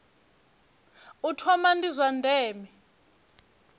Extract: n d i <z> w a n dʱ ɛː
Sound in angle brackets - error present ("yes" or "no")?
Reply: no